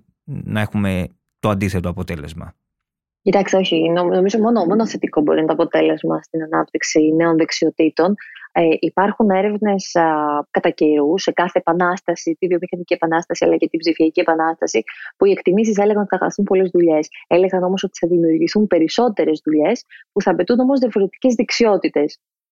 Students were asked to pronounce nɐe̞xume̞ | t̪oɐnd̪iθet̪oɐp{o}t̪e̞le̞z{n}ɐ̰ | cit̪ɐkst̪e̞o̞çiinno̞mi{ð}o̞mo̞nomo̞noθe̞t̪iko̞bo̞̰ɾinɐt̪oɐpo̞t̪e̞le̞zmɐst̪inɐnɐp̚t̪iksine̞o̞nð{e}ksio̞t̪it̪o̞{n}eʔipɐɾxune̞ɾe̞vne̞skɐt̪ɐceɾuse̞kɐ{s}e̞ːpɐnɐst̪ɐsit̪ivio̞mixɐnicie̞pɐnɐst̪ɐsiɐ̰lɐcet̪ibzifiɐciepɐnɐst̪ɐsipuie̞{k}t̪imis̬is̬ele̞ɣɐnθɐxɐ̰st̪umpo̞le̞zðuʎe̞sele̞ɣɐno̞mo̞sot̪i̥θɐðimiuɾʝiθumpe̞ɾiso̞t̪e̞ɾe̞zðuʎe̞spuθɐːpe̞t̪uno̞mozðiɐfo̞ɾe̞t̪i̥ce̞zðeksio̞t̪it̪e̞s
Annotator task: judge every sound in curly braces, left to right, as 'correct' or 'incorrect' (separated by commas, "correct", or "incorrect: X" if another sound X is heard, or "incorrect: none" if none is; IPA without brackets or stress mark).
correct, incorrect: m, incorrect: z, correct, correct, incorrect: θ, correct